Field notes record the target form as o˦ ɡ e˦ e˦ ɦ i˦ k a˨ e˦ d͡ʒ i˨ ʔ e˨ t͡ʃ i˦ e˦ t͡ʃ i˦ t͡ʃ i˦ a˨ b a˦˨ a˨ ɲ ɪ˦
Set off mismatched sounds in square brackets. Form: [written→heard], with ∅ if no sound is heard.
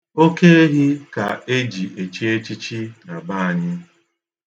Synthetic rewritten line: o˦ [ɡ→k] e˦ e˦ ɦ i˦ k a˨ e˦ d͡ʒ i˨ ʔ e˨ t͡ʃ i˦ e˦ t͡ʃ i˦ t͡ʃ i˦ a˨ b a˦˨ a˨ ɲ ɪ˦